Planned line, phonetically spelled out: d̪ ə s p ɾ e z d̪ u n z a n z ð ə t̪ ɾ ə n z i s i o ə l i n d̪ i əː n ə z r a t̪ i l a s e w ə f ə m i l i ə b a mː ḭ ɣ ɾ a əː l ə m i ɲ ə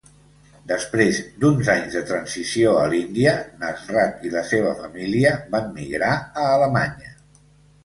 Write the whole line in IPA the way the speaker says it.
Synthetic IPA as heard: d̪ ə s p ɾ e z d̪ u n z a ɲ z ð ə t̪ ɾ ə n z i s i o ə l i n d̪ i ə n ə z r a t̪ i l ə s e β ə f ə m i l i ə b a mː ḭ ɣ ɾ a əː l ə m a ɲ ə